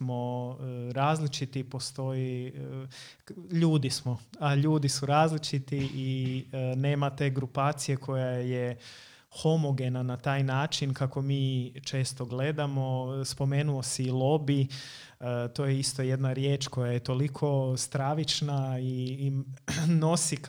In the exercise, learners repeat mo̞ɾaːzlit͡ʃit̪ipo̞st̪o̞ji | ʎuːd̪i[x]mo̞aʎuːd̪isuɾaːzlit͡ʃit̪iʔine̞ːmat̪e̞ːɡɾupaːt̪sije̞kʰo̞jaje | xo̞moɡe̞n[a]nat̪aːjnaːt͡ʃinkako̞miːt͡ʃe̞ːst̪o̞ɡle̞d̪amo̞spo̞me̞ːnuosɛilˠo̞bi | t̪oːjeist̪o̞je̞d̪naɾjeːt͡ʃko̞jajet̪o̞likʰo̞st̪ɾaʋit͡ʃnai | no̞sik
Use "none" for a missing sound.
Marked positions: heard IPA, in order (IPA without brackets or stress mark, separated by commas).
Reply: s, a